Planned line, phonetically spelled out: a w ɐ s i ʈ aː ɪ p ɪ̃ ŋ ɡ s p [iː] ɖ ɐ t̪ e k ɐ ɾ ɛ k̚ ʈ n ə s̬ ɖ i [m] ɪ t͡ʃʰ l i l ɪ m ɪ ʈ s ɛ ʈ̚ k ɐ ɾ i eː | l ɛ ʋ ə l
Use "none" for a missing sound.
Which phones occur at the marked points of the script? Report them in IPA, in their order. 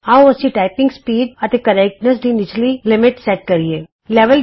iː, n

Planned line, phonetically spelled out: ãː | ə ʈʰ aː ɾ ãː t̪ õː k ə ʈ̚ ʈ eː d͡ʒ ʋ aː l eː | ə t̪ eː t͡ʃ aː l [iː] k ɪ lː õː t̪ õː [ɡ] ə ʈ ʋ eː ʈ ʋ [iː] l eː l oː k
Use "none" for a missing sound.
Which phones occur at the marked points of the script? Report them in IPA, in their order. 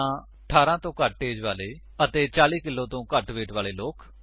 iː, k, aː

